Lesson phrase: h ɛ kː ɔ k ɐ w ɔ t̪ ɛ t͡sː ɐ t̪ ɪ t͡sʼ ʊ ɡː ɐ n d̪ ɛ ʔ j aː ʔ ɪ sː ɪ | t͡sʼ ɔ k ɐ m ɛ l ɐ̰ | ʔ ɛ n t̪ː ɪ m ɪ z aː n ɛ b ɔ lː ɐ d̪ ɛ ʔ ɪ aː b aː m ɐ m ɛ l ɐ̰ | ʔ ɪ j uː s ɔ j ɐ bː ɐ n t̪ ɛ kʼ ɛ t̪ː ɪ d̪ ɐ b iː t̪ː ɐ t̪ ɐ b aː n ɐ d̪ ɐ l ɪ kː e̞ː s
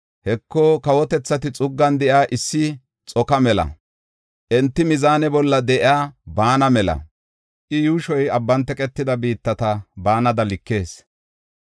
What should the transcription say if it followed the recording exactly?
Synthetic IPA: h ɛ kː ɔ k ɐ w ɔ t̪ ɛ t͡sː ɐ t̪ ɪ t͡sʼ ʊ ɡː ɐ n d̪ ɛ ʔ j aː ʔ ɪ sː ɪ | t͡sʼ ɔ k ɐ m ɛ l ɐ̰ | ʔ ɛ n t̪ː ɪ m ɪ z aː n ɛ b ɔ lː ɐ d̪ ɛ ʔ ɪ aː b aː n ɐ m ɛ l ɐ̰ | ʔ ɪ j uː ʃ ɔ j ɐ bː ɐ n t̪ ɛ kʼ ɛ t̪ː ɪ d̪ ɐ b iː t̪ː ɐ t̪ ɐ b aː n ɐ d̪ ɐ l ɪ kː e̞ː s